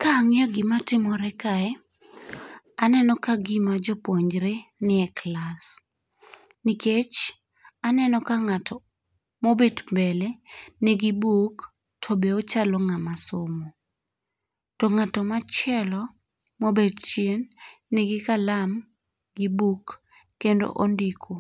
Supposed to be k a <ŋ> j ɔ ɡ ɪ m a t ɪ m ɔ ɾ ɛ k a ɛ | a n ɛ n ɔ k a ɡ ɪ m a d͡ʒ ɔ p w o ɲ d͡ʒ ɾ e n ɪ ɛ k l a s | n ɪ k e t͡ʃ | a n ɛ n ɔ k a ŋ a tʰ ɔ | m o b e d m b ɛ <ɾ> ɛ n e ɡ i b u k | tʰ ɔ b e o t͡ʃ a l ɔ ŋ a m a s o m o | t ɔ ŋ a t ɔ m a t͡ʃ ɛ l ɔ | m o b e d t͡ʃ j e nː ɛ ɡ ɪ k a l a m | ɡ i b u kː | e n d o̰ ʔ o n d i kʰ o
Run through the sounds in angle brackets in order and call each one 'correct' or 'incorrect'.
correct, incorrect: l

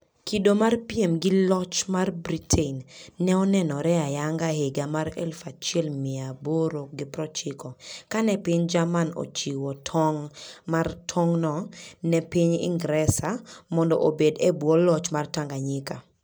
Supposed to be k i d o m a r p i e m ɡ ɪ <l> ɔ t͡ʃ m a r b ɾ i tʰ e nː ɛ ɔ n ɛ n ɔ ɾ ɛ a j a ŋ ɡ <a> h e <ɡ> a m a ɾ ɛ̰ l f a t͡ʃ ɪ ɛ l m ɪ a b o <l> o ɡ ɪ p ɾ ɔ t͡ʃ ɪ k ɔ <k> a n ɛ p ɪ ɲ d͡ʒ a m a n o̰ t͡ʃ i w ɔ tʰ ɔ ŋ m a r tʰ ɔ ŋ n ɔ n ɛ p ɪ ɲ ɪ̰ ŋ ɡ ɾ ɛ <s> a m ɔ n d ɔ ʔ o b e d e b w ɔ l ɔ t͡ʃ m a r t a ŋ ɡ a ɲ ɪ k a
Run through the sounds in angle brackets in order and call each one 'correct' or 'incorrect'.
correct, correct, correct, incorrect: ɾ, correct, correct

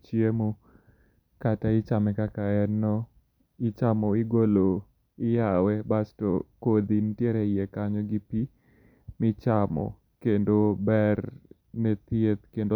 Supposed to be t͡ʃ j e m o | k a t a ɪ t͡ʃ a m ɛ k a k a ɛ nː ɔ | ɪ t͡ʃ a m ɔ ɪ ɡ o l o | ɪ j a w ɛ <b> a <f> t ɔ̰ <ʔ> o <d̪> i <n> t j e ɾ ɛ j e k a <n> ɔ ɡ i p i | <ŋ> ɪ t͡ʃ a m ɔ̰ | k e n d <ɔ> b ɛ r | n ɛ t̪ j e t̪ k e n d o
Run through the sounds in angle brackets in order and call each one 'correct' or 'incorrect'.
correct, incorrect: s, incorrect: k, correct, correct, incorrect: ɲ, incorrect: m, incorrect: o

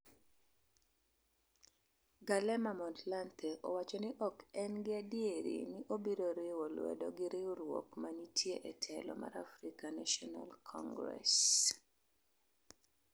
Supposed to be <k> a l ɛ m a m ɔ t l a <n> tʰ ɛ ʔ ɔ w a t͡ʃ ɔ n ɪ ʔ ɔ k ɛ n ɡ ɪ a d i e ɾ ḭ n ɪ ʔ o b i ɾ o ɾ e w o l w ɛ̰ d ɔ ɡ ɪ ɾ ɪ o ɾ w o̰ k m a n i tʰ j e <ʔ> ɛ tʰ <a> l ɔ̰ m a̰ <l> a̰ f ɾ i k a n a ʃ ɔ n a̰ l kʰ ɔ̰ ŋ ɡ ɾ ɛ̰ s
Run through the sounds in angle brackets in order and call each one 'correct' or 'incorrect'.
incorrect: ɡ, correct, correct, incorrect: ɛ, incorrect: ɾ

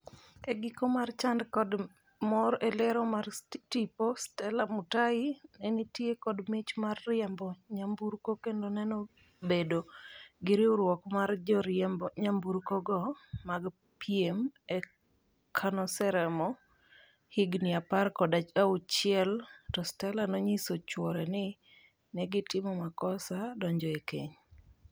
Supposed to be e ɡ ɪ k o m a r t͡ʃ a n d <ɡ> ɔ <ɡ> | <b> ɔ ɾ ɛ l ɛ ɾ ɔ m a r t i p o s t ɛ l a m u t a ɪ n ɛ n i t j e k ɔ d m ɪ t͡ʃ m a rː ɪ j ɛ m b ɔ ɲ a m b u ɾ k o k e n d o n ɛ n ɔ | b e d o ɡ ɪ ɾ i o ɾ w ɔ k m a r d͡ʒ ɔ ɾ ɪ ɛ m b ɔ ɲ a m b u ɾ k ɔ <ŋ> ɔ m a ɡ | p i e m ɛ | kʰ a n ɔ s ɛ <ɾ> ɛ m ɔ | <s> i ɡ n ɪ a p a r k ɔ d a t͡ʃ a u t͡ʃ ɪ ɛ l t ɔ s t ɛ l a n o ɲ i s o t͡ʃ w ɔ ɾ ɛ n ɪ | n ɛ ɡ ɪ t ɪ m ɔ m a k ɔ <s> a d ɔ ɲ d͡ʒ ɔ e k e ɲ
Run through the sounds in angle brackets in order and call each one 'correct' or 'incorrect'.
incorrect: k, incorrect: d, incorrect: m, incorrect: ɡ, correct, incorrect: h, correct

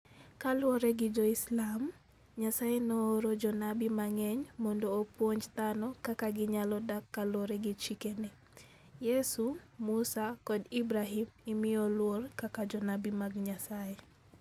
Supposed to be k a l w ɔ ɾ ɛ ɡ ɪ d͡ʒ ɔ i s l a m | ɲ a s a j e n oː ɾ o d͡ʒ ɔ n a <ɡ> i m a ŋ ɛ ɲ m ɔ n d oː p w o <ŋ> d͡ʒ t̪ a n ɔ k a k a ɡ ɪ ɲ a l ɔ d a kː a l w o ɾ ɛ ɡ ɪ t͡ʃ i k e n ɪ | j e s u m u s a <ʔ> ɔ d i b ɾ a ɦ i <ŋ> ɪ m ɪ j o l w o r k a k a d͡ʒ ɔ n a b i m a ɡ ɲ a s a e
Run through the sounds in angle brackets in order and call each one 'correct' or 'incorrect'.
incorrect: b, incorrect: ɲ, incorrect: k, incorrect: m

